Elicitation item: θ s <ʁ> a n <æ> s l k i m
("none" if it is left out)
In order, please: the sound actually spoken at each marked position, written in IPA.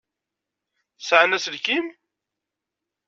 ʕ, æ

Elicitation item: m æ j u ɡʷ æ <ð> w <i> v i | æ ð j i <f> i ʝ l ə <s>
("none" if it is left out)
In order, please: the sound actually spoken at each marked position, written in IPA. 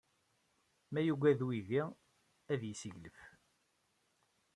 ð, i, s, f

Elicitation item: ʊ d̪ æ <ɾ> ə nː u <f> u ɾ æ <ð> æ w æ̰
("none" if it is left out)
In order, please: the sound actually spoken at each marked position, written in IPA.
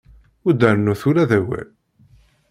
ɾ, θ, ð

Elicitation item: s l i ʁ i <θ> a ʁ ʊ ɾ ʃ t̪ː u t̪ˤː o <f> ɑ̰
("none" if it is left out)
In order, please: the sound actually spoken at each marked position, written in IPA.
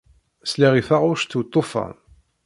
f, f

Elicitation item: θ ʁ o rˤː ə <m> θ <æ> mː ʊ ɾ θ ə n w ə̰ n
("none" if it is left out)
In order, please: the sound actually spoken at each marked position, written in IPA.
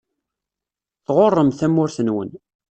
m, æ

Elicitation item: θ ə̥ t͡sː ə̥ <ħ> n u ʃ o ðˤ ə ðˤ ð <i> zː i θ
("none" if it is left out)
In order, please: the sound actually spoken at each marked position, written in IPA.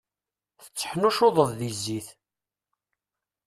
ħ, i

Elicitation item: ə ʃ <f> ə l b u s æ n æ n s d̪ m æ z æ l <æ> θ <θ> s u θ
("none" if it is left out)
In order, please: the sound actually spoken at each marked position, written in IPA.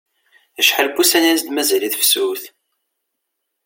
ħ, i, f

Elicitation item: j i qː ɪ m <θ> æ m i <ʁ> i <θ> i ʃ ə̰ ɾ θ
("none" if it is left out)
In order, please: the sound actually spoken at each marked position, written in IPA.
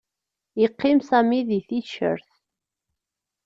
s, ð, θ

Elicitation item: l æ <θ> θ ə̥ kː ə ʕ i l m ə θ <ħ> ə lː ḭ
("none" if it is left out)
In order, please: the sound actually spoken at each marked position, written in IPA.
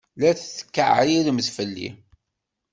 θ, f

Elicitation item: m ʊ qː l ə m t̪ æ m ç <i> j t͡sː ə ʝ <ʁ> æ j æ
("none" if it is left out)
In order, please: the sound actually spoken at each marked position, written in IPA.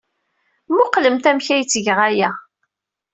æ, ʁ

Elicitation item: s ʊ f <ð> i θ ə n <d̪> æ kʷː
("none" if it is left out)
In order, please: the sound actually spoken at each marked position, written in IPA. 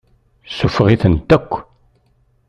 ʁ, t̪

